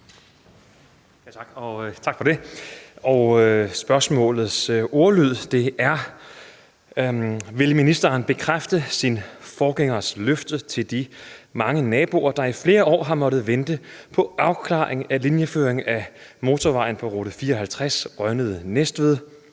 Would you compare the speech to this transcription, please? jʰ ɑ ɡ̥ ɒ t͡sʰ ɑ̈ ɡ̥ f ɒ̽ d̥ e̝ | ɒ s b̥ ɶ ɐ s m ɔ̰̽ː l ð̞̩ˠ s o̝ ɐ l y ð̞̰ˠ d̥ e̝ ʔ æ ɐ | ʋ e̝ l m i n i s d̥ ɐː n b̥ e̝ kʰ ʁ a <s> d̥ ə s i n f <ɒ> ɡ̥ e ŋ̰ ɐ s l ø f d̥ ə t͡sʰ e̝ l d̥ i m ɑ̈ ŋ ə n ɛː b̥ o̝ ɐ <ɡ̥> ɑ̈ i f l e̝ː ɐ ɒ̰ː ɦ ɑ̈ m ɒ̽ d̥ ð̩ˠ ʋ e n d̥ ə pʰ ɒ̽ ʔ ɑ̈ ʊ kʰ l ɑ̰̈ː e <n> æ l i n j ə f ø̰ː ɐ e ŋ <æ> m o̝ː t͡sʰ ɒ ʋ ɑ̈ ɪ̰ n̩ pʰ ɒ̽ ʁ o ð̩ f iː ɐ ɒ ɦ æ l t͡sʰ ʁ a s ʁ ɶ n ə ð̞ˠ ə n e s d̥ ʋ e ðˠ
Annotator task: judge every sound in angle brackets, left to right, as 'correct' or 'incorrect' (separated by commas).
incorrect, incorrect, incorrect, incorrect, correct